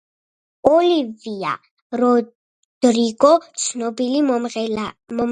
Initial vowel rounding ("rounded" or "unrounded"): rounded